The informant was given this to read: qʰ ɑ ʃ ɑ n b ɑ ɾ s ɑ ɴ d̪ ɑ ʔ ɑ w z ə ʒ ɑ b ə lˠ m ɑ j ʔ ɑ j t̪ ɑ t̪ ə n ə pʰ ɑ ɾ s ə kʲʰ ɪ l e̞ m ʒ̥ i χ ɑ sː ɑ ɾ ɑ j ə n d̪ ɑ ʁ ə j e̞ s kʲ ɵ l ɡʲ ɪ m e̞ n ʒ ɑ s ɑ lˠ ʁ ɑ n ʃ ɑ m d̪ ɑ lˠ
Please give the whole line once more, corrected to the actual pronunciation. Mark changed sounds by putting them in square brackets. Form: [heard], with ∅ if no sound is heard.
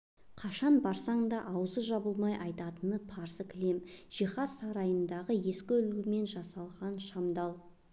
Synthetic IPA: qʰ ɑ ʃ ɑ n b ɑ ɾ s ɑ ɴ d̪ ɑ ʔ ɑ w z ə ʒ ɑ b ə lˠ m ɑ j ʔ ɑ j t̪ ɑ t̪ ə n ə pʰ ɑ ɾ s ə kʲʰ ɪ l e̞ m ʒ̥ i χ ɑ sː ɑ ɾ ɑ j ə n d̪ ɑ ʁ ə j e̞ s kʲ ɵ l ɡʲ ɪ m e̞ n ʒ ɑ s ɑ lˠ ʁ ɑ n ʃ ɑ m d̪ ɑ lˠ